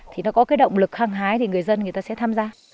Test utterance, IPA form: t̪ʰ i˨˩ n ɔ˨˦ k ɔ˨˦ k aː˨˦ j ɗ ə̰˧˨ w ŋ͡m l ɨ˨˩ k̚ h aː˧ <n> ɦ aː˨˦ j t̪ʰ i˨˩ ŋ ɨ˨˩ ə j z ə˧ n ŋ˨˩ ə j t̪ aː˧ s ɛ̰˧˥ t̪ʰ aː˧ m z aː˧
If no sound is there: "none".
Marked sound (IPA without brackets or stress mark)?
ŋ